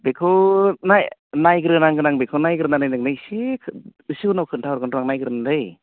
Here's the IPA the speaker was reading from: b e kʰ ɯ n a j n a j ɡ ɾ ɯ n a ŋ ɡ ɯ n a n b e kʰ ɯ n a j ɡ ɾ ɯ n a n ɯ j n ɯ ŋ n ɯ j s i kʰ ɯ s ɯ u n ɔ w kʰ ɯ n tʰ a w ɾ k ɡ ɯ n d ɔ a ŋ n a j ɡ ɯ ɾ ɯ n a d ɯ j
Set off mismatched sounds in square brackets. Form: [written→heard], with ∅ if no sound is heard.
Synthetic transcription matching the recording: b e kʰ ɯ n a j n a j ɡ ɾ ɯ n a ŋ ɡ ɯ n a [n→ŋ] b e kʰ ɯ n a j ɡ ɾ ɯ n a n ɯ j n ɯ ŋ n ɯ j s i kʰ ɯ s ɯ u n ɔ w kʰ ɯ n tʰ a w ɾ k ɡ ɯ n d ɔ a ŋ n a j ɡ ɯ ɾ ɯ n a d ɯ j